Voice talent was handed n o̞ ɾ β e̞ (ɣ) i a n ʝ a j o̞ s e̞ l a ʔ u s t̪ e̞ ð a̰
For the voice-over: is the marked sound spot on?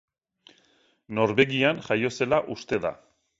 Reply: yes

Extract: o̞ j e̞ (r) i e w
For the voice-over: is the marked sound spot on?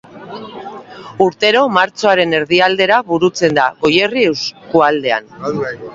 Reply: yes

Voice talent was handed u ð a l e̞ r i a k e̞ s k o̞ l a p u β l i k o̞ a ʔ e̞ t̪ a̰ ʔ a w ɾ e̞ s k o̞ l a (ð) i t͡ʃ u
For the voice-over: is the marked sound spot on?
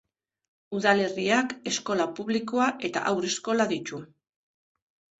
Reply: yes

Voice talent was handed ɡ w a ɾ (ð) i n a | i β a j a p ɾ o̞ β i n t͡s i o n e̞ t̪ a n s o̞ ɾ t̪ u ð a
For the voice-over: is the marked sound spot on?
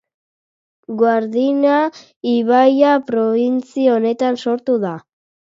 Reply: yes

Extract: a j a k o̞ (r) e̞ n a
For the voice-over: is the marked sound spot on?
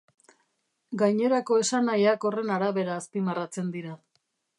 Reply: yes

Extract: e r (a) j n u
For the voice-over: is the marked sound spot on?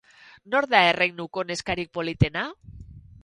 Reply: no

